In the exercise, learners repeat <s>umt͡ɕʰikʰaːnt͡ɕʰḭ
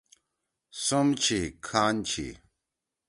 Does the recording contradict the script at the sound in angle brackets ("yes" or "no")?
no